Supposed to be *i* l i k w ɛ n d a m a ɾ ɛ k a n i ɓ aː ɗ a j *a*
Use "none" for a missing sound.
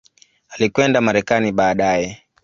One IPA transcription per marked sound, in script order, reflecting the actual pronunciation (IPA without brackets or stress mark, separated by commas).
a, ɛ